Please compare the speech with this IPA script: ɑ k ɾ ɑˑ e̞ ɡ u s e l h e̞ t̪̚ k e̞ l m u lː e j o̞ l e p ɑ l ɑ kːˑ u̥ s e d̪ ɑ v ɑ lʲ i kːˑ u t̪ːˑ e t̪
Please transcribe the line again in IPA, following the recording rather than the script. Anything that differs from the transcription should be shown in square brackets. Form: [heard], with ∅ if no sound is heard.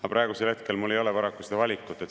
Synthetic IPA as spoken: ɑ [p] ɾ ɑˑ e̞ ɡ u s e l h e̞ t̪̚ k e̞ l m u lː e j o̞ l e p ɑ [ɾ] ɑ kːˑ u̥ s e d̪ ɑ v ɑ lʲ i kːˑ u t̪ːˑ e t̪